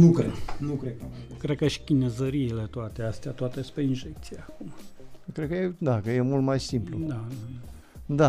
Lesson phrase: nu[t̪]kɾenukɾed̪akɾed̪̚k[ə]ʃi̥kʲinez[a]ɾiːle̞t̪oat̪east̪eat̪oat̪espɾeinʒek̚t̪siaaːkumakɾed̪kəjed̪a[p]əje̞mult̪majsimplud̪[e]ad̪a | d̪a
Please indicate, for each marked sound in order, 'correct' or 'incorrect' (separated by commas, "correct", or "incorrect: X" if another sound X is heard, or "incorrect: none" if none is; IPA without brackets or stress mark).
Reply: incorrect: none, correct, incorrect: ə, incorrect: k, incorrect: a